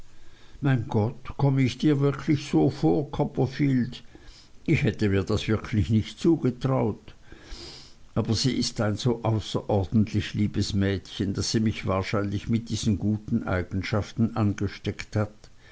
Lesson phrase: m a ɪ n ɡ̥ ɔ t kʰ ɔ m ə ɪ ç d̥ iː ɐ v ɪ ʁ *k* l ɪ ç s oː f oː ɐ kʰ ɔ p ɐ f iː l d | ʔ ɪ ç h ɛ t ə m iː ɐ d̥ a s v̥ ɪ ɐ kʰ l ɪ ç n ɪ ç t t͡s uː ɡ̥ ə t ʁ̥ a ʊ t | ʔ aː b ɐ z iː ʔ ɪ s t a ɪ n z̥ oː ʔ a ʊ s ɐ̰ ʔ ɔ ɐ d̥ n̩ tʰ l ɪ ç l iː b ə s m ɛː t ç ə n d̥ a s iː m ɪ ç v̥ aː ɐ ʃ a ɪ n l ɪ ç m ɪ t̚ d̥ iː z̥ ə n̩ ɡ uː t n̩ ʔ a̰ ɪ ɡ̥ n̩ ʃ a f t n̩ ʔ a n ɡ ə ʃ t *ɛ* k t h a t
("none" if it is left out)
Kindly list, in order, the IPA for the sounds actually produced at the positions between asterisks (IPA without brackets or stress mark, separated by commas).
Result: kʰ, ɛ